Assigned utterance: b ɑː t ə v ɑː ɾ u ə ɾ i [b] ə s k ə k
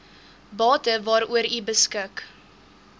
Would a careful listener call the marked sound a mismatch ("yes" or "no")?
no